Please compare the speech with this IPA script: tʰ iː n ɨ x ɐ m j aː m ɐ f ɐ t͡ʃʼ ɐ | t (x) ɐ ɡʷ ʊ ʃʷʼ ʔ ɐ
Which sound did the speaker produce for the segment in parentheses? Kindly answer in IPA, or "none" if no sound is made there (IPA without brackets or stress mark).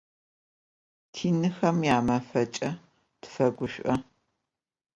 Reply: f